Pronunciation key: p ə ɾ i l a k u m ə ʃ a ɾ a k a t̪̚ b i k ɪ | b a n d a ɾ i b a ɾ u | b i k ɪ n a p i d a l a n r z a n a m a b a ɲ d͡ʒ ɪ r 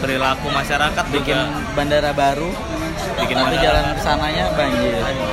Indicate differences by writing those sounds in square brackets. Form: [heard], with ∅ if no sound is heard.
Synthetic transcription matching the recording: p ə ɾ i l a k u m [a] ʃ a ɾ a k a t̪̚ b i k ɪ | b a n d a ɾ [a] b a ɾ u | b i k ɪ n a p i [d͡ʒ] a l a n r [s] a n a [ɲ] a b a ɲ d͡ʒ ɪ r